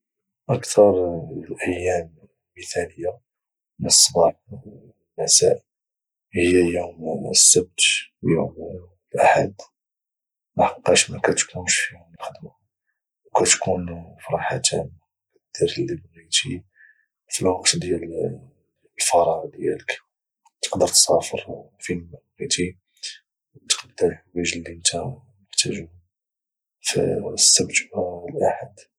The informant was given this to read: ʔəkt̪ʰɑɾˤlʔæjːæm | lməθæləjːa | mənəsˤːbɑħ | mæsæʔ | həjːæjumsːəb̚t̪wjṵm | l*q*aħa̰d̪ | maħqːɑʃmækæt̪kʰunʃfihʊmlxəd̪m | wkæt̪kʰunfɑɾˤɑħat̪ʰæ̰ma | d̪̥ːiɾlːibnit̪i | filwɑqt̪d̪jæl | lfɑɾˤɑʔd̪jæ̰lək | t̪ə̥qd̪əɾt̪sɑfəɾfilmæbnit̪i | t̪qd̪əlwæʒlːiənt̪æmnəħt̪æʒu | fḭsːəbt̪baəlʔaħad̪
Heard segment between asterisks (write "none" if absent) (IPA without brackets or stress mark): ʔ